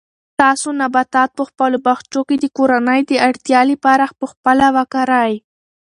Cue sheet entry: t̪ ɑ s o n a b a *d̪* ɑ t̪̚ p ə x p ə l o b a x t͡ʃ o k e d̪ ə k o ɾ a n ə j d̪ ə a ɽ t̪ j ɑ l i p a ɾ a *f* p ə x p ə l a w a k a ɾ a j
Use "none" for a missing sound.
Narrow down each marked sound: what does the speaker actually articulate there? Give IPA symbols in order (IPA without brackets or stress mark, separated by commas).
t̪, x